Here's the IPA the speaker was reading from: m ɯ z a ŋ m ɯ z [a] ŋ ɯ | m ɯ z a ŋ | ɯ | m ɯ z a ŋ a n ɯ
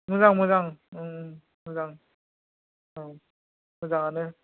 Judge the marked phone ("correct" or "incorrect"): correct